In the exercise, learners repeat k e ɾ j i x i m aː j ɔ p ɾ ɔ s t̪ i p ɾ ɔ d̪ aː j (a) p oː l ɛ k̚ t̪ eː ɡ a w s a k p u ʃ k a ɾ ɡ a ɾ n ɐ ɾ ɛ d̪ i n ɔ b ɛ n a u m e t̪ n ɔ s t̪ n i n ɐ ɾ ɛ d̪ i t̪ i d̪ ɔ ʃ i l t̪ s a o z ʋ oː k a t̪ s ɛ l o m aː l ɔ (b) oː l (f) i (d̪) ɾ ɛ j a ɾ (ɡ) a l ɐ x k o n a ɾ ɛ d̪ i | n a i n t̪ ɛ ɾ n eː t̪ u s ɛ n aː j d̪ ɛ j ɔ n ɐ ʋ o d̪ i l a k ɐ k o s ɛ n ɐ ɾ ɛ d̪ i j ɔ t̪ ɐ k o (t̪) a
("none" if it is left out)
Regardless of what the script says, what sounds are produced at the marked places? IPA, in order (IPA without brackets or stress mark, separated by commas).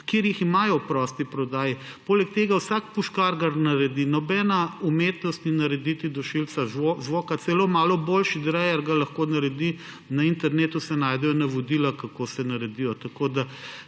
i, b, ʃ, d̪, ɡ, d̪